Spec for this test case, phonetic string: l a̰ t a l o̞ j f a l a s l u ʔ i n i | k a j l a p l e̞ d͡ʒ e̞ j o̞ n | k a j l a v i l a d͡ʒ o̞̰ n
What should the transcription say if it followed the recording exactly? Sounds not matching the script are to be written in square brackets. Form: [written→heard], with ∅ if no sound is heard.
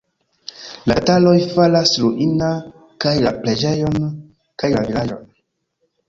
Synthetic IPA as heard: l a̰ t a l o̞ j f a l a s l u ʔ i n [i→a] | k a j l a p l e̞ d͡ʒ e̞ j o̞ n | k a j l a v i l a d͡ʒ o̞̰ n